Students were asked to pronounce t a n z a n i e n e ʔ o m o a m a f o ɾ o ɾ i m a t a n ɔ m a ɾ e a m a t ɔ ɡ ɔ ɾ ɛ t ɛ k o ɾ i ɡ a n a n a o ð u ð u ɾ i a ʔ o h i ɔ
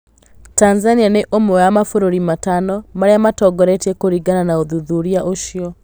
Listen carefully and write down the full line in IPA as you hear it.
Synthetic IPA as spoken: t a n z a n i a n e ʔ o m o a m a f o ɾ o ɾ i m a t a n ɔ m a ɾ e a m a t ɔ ɡ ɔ ɾ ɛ t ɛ k o ɾ i ɡ a n a n a o ð u ð u ɾ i a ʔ o ʃ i ɔ

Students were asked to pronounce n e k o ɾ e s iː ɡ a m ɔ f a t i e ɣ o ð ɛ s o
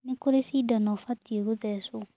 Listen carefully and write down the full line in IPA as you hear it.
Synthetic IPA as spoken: n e k o ɾ e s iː d a n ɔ f a t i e ɣ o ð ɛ s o

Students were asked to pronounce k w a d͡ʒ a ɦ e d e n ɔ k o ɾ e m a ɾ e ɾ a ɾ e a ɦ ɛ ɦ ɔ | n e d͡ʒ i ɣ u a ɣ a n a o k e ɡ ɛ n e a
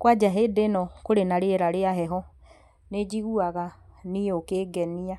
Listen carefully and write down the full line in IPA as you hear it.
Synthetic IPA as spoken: k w a d͡ʒ a ɦ e d e n ɔ k o ɾ e n a ɾ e ɾ a ɾ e a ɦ ɛ ɦ ɔ | n e d͡ʒ i ɣ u a ɣ a n i o k e ɡ ɛ n i a

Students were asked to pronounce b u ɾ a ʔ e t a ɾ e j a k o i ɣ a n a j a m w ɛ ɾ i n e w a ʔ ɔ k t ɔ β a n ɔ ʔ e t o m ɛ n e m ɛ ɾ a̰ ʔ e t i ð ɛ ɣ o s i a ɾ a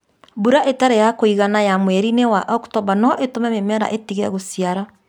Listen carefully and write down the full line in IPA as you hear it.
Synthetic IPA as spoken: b u ɾ a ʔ e t a ɾ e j a k o i ɣ a n a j a m w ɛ ɾ i n e w a ʔ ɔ k t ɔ β a n ɔ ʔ e t o m ɛ m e m ɛ ɾ a̰ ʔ e t i ɣ ɛ ɣ o s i a ɾ a

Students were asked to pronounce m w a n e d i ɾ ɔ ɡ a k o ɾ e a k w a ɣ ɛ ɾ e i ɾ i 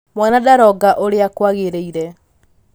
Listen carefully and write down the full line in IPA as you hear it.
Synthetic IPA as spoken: m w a n a d a ɾ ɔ ɡ a ʔ o ɾ e a k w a ɣ e ɾ e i ɾ ɛ

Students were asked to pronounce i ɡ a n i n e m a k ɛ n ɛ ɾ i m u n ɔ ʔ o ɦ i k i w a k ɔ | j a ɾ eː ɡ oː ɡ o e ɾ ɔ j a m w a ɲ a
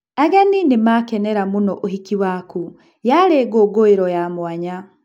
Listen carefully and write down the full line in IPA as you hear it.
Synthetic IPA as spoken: a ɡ a n i n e m a k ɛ n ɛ ɾ a m u n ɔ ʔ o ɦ i k i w a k u | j a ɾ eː ɡ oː ɡ o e ɾ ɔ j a m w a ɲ a

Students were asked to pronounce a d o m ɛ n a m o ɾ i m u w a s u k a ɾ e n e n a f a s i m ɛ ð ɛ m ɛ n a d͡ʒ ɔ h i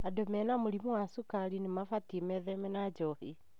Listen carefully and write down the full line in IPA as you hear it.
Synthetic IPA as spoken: a d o m ɛ n a m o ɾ i m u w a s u k a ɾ i n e m a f a t i m ɛ ð ɛ m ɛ n a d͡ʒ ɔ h i

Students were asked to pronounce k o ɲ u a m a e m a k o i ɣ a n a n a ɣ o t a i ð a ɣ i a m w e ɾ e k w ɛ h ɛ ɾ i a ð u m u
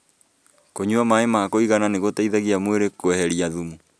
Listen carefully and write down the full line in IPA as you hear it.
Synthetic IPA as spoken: k o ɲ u a m a e m a k o i ɣ a n a n e ɣ o t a i ð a ɣ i a m w e ɾ e k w ɛ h ɛ ɾ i a ð u m u

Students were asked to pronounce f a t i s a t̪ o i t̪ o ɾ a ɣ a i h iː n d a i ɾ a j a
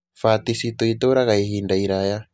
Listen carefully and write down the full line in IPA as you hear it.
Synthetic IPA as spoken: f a t i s i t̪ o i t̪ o ɾ a ɣ a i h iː n d a i ɾ a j a

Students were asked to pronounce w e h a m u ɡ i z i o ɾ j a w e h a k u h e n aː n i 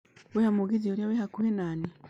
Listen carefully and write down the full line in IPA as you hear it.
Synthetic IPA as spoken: w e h a m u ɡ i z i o ɾ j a w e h a k u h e n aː n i

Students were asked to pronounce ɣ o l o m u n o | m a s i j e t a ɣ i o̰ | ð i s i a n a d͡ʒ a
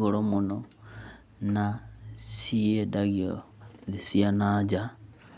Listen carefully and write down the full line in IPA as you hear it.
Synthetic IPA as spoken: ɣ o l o m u n o | n a s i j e d a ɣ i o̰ | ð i s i a n a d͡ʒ a

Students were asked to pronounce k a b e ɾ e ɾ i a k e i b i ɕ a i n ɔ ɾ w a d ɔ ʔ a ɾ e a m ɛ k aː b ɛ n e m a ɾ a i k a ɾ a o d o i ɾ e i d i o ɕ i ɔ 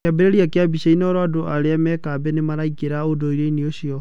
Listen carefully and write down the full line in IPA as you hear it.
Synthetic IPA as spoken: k a b e ɾ e ɾ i a k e a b i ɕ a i n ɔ ɾ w a d o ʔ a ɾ e a m ɛ k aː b ɛ n e m a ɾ a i k e ɾ a o d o i ɾ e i n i o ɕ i ɔ

